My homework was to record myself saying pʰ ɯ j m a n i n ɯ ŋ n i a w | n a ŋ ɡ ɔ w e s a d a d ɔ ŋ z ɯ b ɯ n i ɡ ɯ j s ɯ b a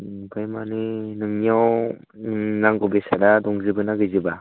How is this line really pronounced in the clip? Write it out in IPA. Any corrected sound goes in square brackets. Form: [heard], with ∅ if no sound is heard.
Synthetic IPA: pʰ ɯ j m a n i n ɯ ŋ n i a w | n a ŋ ɡ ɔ [b] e s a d a d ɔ ŋ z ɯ b ɯ n [a] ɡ ɯ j [z] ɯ b a